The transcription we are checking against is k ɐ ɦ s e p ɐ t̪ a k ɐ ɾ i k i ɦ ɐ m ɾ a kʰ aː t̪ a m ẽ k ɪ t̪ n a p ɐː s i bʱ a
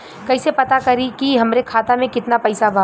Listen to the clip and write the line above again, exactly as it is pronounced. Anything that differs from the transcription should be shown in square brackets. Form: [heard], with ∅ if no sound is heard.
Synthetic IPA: k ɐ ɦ s e p ɐ t̪ a k ɐ ɾ i k i ɦ ɐ m ɾ [e] kʰ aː t̪ a m ẽ k ɪ t̪ n a p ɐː s [a] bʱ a